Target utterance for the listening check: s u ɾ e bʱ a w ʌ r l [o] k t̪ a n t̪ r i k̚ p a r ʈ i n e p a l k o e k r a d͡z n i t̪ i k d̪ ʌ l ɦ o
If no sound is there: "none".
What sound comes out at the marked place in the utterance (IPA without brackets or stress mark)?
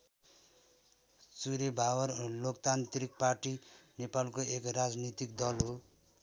o